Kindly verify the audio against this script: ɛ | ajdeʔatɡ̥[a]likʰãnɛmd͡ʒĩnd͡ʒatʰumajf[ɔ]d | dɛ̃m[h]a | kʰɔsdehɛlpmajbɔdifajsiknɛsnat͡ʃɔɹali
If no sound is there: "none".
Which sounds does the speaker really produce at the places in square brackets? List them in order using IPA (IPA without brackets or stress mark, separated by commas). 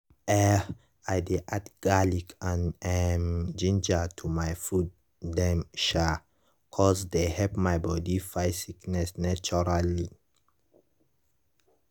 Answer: a, u, ʃ